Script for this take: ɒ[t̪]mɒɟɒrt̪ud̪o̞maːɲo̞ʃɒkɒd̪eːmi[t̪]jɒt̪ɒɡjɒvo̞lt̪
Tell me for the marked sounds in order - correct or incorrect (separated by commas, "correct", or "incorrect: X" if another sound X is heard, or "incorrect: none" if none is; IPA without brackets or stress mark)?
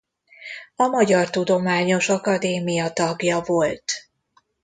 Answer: incorrect: none, incorrect: none